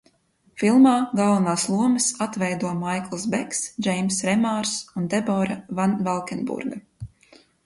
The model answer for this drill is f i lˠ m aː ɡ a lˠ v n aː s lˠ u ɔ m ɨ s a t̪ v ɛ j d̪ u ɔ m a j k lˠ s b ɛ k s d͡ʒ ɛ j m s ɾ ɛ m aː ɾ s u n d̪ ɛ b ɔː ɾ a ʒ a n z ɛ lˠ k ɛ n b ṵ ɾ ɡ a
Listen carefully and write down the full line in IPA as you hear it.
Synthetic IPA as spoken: f i lˠ m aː ɡ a lˠ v n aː s lˠ u ɔ m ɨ s a t̪ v ɛ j d̪ u ɔ m a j k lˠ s b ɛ k s d͡ʒ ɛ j m s ɾ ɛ m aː ɾ s u n d̪ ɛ b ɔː ɾ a v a n v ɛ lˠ k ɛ n b ṵ ɾ ɡ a